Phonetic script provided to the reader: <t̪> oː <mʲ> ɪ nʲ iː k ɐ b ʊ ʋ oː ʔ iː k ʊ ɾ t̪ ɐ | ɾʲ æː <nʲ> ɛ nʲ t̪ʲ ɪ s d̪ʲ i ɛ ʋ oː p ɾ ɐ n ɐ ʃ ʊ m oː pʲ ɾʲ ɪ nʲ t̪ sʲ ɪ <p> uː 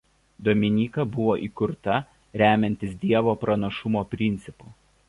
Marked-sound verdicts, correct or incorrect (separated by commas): incorrect, correct, incorrect, correct